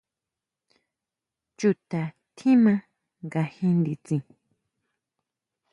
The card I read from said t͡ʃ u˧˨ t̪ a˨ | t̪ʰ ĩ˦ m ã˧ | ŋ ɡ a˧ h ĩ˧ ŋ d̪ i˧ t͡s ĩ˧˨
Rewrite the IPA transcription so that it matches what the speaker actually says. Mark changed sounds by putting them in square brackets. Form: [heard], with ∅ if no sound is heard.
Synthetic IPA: t͡ʃ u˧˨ t̪ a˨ | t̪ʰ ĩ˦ m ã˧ | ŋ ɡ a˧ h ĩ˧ [n] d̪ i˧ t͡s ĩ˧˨